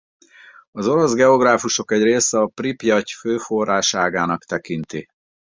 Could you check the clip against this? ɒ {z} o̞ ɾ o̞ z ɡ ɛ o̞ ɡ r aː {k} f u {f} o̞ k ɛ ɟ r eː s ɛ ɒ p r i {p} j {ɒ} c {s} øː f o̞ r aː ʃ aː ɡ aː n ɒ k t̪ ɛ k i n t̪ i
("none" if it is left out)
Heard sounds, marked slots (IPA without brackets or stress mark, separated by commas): z, none, ʃ, p, ɒ, f